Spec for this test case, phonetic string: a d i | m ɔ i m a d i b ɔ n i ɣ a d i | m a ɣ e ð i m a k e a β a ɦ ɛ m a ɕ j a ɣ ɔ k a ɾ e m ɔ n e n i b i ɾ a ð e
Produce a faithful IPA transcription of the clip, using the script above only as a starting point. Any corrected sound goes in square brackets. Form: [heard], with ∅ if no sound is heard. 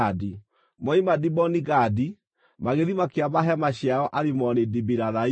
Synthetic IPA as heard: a d i | m ɔ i m a d i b ɔ n i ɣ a d i | m a ɣ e ð i m a k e a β a ɦ ɛ m a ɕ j a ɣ ɔ [ʔ] a ɾ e m ɔ n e [d] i b i ɾ a ð [a]